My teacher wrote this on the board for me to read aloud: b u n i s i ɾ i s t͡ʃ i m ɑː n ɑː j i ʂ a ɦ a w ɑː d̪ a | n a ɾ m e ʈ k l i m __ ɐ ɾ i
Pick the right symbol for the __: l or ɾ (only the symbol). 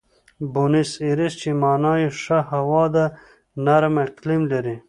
l